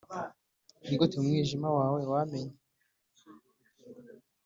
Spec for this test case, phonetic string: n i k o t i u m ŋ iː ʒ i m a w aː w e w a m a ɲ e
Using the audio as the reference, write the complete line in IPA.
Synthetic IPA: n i ɡ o t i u m ŋ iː ʒ i m a w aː w e w a m e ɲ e